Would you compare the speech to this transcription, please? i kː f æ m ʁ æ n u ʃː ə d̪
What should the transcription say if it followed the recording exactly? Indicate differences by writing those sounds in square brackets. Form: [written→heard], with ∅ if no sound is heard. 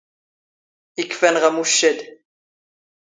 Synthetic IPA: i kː f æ [m→n] ʁ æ [n→m] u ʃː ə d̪